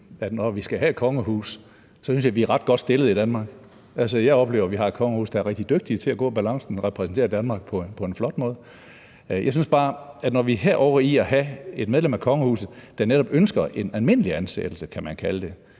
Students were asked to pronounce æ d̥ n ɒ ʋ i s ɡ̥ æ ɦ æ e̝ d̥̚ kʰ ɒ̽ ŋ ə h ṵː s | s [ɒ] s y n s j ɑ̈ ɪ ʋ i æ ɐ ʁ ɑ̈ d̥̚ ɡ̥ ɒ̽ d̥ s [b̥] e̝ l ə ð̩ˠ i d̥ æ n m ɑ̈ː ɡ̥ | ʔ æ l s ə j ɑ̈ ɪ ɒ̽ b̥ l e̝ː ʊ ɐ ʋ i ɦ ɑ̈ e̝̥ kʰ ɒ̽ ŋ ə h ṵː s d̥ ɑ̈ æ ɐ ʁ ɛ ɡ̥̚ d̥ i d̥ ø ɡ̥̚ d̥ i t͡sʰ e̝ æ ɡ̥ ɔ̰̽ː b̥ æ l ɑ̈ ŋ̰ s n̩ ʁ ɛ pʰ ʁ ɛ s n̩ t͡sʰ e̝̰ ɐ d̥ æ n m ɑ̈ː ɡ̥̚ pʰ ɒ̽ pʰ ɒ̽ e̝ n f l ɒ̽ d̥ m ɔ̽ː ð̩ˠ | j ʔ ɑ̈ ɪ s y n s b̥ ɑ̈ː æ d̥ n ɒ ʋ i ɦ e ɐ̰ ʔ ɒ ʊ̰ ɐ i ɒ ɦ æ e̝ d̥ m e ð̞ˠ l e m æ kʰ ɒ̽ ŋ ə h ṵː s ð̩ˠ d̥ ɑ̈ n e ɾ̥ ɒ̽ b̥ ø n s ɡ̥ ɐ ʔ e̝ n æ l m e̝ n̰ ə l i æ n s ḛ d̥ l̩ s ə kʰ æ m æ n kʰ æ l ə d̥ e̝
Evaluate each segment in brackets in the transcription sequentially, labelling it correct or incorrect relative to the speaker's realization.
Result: correct, incorrect

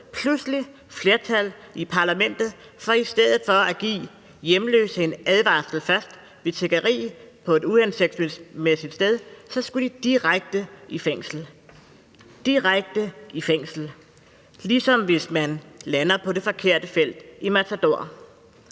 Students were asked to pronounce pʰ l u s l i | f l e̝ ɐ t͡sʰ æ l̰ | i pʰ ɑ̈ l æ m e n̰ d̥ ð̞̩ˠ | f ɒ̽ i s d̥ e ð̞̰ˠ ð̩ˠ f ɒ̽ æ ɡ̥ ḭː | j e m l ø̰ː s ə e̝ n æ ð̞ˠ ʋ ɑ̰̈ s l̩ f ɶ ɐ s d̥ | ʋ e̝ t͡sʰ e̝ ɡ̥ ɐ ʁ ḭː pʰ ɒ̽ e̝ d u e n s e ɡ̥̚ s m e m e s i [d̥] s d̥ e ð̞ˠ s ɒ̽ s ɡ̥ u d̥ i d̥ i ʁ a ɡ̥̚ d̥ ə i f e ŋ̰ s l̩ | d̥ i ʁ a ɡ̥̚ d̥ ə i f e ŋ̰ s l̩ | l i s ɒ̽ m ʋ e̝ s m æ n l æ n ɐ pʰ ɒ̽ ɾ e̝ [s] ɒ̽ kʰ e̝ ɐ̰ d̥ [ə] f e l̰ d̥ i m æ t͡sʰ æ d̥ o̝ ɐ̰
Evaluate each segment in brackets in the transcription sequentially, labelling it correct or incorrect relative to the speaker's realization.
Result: correct, incorrect, correct

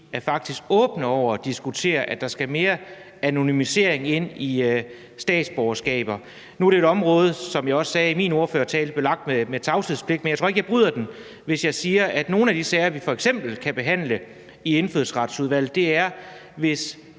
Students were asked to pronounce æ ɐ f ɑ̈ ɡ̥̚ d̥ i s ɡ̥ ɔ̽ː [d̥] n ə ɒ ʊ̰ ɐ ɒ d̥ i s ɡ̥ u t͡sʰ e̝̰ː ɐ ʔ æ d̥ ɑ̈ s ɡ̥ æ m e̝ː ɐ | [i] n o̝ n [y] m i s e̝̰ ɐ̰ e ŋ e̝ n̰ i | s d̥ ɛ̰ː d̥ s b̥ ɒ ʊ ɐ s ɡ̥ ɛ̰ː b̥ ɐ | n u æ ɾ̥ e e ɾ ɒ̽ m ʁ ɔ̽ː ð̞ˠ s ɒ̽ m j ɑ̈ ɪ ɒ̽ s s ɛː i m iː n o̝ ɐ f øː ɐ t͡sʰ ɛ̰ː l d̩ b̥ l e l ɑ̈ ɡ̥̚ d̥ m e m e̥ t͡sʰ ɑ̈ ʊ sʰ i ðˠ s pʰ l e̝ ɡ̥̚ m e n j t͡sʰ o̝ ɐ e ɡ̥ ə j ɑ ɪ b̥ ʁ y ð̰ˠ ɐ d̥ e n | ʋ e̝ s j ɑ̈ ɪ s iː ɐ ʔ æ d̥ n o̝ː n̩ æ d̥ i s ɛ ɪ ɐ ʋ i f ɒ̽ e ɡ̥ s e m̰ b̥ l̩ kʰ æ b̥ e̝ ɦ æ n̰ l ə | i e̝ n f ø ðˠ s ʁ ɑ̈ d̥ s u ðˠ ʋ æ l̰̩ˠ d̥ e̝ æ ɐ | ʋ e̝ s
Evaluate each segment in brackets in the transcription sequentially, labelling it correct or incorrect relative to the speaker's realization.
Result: incorrect, incorrect, correct

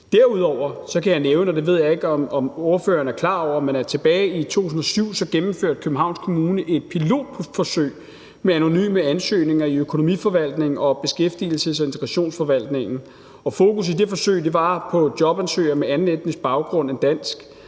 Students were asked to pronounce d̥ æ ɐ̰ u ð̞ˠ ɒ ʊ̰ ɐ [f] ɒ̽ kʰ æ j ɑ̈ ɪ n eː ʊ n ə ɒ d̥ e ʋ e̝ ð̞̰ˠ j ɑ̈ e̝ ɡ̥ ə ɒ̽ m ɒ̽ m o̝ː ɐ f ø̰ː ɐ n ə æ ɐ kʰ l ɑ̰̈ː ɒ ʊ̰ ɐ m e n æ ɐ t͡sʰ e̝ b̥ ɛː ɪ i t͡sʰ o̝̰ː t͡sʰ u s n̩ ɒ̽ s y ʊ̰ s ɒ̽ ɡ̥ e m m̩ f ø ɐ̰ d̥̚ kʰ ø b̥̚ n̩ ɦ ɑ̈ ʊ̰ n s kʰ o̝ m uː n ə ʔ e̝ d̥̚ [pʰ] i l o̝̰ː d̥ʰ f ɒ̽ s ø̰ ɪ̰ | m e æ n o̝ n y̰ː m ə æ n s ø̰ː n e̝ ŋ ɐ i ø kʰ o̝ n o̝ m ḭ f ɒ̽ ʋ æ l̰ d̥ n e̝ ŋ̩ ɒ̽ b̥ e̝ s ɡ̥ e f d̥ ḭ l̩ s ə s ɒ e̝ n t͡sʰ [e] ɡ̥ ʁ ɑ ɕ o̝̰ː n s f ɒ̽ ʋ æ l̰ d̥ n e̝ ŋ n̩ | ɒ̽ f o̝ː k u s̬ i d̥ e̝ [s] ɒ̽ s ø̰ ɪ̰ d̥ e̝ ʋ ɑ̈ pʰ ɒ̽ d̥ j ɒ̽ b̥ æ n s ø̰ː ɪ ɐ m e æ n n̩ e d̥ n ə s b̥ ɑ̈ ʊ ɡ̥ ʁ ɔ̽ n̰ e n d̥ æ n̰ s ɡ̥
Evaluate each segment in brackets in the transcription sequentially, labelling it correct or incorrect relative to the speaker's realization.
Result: incorrect, correct, correct, incorrect

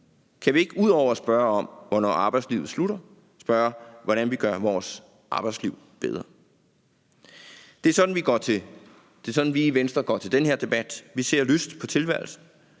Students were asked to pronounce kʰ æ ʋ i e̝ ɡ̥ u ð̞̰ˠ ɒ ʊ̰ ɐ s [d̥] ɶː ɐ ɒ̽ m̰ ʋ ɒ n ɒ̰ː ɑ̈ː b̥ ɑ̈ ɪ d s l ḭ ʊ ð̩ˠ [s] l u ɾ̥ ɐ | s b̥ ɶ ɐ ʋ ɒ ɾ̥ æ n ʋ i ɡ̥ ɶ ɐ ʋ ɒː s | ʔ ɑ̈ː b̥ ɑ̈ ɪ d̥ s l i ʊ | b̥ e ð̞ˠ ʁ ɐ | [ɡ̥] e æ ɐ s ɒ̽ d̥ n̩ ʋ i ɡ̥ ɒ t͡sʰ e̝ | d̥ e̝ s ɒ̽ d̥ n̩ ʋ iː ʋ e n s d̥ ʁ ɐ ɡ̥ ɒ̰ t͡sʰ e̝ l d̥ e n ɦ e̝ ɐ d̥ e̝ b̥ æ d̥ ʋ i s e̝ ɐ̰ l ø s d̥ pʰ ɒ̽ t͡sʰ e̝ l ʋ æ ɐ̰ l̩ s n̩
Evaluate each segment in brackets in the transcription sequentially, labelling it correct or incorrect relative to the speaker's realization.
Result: incorrect, correct, incorrect

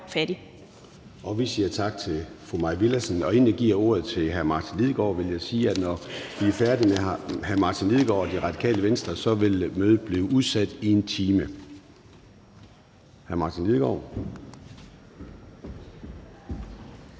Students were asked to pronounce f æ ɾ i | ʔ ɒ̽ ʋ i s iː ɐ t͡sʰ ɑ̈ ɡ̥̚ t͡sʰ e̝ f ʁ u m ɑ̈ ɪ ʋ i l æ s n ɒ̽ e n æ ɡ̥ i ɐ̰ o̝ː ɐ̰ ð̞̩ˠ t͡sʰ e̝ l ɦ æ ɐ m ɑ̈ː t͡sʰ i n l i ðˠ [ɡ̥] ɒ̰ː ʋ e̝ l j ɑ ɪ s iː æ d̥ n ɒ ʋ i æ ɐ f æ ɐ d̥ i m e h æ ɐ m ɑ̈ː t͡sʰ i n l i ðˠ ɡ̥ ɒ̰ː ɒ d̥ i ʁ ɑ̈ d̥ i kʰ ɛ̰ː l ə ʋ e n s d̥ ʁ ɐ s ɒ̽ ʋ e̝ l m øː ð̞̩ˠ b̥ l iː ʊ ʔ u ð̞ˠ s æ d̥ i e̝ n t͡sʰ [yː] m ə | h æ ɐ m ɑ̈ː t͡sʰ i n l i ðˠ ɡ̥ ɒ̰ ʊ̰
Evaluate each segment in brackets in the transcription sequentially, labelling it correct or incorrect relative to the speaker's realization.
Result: correct, incorrect

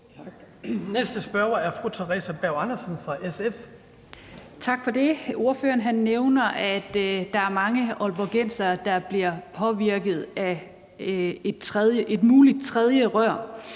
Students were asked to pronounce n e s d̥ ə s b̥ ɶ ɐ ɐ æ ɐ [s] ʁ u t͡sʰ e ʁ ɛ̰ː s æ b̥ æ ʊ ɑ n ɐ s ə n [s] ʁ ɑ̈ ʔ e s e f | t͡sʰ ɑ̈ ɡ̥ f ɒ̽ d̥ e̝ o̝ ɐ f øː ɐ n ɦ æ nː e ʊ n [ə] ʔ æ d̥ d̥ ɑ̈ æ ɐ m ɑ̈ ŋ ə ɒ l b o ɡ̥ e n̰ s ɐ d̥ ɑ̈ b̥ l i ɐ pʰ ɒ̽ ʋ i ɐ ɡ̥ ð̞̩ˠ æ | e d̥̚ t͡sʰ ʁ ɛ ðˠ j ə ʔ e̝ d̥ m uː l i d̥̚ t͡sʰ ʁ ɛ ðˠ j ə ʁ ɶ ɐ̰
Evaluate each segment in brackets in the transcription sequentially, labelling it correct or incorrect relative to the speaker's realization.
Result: incorrect, incorrect, incorrect

